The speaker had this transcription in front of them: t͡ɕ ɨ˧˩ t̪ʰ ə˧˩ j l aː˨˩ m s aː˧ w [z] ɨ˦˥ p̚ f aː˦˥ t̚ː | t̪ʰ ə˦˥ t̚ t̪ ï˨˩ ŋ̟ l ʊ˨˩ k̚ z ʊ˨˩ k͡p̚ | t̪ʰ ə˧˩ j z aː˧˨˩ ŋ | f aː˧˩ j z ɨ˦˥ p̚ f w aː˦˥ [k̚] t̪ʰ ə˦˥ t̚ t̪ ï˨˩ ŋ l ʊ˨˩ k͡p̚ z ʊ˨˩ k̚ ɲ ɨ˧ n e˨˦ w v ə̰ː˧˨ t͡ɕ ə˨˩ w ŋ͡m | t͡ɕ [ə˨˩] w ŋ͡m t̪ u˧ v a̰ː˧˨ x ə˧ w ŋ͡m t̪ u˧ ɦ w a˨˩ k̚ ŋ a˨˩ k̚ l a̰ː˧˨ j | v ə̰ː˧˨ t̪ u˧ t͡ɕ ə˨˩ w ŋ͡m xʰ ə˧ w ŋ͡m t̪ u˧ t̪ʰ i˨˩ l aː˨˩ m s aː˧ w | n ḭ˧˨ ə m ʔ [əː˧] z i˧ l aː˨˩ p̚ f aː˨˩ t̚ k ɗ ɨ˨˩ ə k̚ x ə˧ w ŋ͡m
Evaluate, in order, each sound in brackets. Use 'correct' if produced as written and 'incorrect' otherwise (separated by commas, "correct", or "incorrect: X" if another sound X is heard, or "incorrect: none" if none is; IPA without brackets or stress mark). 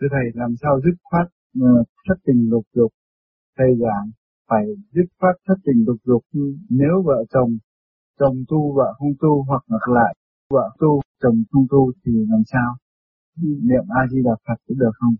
correct, incorrect: t̚, correct, incorrect: aː˧